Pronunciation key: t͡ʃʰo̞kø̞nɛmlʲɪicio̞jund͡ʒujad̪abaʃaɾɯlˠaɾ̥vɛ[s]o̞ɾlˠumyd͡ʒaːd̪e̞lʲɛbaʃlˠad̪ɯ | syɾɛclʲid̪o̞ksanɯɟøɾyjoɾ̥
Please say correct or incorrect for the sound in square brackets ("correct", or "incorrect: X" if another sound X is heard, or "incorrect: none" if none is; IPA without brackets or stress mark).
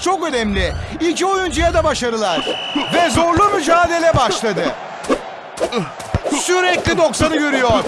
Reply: incorrect: z